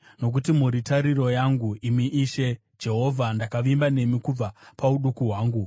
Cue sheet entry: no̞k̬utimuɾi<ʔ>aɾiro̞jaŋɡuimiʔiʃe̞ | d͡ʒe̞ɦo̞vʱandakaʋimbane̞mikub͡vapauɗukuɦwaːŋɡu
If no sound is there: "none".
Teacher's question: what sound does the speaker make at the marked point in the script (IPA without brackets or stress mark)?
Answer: t